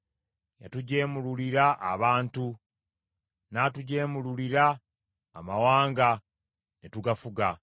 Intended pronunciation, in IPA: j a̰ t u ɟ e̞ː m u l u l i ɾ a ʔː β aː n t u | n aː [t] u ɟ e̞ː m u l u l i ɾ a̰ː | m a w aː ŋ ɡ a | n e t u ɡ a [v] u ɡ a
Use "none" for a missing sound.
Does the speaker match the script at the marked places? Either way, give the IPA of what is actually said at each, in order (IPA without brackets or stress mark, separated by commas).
t, f